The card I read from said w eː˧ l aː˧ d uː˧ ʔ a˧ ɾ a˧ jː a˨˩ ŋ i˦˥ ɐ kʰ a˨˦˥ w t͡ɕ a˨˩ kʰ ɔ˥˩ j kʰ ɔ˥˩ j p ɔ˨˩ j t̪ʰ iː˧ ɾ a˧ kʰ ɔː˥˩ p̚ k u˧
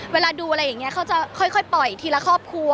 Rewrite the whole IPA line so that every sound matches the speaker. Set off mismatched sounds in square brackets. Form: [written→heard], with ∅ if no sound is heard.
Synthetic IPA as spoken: w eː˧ l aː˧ d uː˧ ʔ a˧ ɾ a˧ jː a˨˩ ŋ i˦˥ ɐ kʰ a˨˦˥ w t͡ɕ a˨˩ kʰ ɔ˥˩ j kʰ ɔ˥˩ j p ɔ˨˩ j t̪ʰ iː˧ [ɾ→l] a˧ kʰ ɔː˥˩ p̚ [k→kʰ] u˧